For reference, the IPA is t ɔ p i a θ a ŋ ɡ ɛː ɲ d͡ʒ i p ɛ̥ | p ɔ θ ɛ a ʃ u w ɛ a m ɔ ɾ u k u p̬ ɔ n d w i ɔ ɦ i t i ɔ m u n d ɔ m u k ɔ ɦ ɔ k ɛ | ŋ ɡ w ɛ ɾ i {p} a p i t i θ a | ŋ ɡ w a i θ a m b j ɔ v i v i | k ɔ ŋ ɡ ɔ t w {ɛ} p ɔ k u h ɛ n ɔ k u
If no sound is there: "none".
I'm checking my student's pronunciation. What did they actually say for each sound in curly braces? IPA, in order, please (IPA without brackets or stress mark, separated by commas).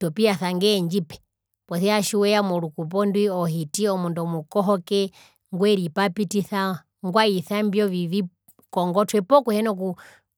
p, ɛ